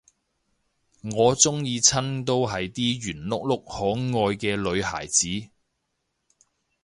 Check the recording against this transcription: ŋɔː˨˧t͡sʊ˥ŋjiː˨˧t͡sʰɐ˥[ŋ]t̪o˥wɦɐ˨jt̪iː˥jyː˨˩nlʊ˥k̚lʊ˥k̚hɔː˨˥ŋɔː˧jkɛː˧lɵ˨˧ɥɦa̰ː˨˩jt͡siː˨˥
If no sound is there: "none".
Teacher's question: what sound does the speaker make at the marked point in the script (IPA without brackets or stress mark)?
n